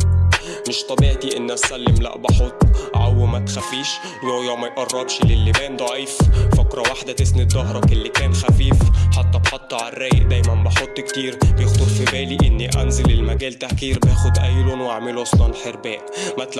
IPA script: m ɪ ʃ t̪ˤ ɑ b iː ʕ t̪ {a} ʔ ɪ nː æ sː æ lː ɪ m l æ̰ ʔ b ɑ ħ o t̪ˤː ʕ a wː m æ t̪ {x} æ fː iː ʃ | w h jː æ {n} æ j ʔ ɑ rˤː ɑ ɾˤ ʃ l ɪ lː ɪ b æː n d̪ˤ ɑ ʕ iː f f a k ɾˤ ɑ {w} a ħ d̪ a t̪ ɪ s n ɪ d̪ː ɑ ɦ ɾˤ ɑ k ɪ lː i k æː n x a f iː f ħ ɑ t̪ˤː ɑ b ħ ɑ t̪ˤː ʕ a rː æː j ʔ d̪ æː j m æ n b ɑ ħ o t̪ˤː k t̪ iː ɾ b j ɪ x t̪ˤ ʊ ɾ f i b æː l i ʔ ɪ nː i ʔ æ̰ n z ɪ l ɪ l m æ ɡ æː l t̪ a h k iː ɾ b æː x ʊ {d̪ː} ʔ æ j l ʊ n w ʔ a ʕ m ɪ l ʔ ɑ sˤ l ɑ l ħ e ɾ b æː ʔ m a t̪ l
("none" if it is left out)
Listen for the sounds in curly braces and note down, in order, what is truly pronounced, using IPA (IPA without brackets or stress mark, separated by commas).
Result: i, x, m, w, d̪